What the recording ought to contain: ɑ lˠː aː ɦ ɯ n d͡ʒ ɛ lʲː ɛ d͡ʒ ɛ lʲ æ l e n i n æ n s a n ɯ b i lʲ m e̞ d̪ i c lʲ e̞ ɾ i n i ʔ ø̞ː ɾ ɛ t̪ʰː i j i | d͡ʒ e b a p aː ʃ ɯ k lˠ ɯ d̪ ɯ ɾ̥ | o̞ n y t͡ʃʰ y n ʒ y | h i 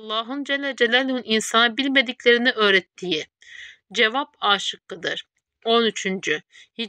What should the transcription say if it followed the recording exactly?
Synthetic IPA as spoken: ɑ lˠː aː ɦ ɯ n d͡ʒ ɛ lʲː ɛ d͡ʒ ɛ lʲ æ l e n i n i n s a n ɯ b i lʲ m e̞ d̪ i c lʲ e̞ ɾ i n i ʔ ø̞ː ɾ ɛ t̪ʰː i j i | d͡ʒ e v a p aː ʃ ɯ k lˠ ɯ d̪ ɯ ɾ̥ | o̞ n y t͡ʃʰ y n d͡ʒ y | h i